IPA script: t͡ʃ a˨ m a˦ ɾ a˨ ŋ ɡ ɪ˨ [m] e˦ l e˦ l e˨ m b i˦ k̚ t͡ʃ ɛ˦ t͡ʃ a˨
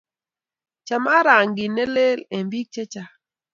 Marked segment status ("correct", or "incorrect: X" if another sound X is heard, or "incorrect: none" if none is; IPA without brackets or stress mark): incorrect: n